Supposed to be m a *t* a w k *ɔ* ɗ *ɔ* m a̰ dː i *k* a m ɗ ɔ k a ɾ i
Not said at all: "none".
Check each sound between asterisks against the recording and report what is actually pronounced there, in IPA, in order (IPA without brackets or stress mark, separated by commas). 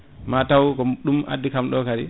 t, ɔ, u, k